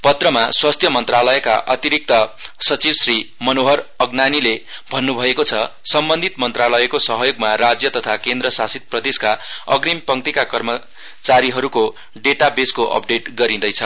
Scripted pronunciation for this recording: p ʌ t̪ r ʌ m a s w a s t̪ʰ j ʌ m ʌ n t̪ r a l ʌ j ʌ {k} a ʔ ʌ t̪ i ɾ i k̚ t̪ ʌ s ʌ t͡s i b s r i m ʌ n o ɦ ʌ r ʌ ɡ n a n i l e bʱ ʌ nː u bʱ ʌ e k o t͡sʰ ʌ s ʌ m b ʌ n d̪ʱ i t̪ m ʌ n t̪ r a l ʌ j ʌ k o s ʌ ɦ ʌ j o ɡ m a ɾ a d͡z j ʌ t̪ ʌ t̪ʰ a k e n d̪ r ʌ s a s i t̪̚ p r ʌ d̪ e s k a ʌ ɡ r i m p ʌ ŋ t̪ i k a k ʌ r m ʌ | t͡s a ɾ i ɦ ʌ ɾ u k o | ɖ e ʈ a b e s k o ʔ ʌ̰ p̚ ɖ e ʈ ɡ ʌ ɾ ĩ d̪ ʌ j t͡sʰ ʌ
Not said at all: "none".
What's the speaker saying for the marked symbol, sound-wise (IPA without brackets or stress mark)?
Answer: k